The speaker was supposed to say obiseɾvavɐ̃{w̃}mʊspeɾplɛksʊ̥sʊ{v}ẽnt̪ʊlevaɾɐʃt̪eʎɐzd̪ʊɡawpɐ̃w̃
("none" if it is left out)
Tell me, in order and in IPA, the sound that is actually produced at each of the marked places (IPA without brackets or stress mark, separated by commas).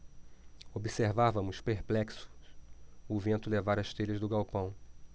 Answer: none, v